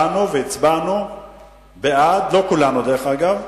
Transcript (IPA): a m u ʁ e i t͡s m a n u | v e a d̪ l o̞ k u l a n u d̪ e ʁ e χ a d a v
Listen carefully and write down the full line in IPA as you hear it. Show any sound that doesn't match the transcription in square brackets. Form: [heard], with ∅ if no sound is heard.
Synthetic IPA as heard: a [n] u [v] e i t͡s [b] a n u | [b] e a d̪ l o̞ k u l a n u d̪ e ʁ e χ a [ɡ] a v